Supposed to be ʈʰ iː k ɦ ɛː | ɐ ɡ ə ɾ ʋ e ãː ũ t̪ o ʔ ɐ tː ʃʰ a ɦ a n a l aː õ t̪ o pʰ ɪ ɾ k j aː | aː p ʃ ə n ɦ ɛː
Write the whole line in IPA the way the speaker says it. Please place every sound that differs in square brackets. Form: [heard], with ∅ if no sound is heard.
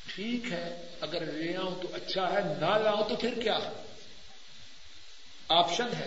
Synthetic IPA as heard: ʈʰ iː k ɦ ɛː | ɐ ɡ ə ɾ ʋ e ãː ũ t̪ o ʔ ɐ tː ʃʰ a ɦ [ɛ] n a l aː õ t̪ o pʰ ɪ ɾ k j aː | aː p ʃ ə n ɦ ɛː